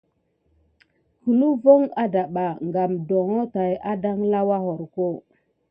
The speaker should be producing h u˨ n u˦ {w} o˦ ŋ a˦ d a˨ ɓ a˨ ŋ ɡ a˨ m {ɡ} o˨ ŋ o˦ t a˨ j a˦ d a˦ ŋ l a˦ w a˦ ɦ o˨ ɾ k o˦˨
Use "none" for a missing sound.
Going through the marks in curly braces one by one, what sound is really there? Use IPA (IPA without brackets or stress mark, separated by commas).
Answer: v, d